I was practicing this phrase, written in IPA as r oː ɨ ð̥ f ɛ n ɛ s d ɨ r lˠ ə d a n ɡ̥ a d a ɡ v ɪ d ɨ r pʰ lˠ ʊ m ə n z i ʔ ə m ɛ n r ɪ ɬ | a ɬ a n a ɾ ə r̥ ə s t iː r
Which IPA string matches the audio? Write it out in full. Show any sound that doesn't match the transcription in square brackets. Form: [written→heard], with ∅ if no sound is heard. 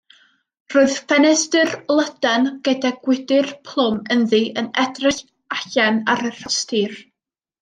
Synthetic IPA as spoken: r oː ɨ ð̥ f ɛ n ɛ s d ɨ r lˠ ə d a n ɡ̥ [a→ə] d a ɡ [v→w] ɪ d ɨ r pʰ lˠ ʊ m ə n [z→ð] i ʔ ə [m→n] ɛ [n→d] r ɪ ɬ | a ɬ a n a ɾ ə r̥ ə s t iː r